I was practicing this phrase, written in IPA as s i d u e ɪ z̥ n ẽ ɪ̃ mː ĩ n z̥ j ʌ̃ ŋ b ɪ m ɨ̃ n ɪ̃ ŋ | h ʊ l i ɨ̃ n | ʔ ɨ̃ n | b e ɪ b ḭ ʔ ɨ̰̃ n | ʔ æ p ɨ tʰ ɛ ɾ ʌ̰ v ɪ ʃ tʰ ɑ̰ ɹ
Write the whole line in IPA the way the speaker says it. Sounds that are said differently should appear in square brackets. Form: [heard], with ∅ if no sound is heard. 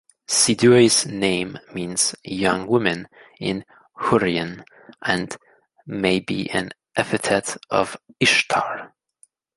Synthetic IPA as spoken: s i d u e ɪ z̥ n ẽ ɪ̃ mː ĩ n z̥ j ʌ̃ ŋ [w] ɪ m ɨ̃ n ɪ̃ [n] | h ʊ [ɹ] i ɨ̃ n | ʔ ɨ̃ n | [m] e ɪ b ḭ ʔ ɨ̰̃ n | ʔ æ p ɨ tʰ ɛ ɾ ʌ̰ v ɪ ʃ tʰ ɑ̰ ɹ